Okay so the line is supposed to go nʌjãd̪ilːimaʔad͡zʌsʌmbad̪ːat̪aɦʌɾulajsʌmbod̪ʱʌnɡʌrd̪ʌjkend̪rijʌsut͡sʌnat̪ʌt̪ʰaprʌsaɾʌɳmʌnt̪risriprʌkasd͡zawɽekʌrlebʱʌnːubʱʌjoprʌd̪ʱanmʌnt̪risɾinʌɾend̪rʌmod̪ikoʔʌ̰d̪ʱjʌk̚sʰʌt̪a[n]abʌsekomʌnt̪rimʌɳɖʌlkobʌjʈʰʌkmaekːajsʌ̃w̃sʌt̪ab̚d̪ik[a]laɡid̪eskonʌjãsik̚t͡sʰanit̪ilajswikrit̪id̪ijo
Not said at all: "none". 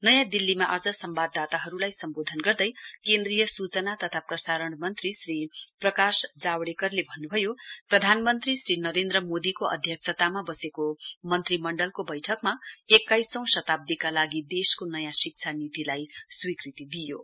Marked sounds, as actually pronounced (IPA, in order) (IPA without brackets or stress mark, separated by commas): m, a